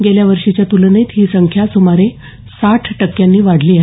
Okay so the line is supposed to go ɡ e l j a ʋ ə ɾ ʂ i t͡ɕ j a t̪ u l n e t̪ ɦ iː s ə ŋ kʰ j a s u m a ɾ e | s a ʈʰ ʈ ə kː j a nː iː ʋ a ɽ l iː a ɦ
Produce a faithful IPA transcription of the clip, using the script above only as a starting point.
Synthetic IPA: ɡ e l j a ʋ ə ɾ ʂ i t͡ɕ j a t̪ u l n e t̪ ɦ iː s ə ŋ kʰ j a s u m a ɾ e | s a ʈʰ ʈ ə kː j a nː iː ʋ a ɽ l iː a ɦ